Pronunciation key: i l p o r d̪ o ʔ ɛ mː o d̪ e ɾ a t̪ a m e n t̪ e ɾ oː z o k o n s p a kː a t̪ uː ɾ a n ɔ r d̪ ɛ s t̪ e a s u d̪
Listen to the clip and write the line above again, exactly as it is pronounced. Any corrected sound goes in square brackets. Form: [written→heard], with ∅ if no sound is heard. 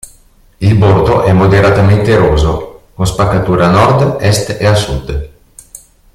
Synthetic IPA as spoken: i l [p→b] o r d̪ o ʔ ɛ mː o d̪ e ɾ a t̪ a m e n t̪ e ɾ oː z o k o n s p a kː a t̪ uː ɾ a n ɔ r d̪ ɛ s t̪ e a s u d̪